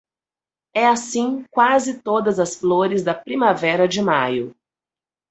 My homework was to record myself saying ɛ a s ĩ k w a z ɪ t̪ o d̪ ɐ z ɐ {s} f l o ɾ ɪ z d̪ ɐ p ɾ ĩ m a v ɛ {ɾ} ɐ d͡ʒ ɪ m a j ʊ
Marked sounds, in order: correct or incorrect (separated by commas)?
correct, correct